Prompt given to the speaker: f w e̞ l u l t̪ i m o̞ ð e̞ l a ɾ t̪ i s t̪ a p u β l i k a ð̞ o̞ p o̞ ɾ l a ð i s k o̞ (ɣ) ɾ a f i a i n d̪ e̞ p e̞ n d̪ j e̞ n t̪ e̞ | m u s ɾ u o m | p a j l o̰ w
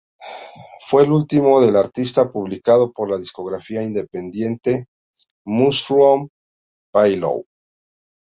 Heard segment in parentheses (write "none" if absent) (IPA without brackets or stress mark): ɣ